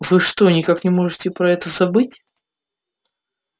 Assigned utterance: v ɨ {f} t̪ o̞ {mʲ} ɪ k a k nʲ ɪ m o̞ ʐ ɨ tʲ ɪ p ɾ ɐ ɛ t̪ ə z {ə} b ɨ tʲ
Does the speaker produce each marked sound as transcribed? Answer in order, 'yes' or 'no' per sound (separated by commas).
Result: no, no, no